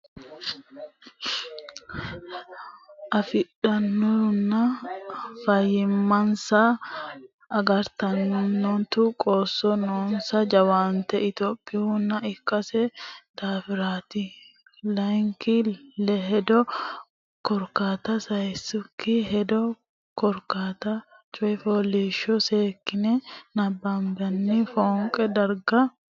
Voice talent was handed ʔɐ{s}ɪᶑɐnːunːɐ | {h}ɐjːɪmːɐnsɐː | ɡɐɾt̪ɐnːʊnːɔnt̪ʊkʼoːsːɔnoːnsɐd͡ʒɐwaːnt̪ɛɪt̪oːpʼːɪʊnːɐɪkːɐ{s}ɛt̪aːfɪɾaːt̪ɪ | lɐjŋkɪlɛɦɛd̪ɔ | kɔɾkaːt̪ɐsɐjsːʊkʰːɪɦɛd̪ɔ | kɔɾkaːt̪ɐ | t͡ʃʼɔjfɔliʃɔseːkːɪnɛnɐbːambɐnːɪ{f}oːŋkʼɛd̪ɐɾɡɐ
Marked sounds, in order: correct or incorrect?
incorrect, incorrect, correct, correct

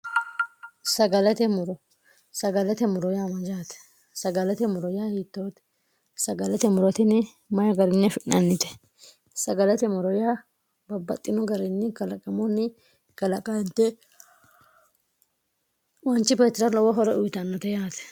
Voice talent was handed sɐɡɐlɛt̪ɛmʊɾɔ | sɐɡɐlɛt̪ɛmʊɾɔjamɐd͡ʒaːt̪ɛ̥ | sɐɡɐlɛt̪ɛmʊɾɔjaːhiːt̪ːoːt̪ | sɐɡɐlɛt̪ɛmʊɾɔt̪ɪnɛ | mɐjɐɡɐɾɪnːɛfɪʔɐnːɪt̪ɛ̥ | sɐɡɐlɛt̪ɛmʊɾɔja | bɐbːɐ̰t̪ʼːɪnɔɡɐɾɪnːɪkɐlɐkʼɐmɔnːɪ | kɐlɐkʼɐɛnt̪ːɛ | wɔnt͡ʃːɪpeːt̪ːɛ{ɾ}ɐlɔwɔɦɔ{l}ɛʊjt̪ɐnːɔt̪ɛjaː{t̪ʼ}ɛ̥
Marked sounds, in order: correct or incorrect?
correct, incorrect, incorrect

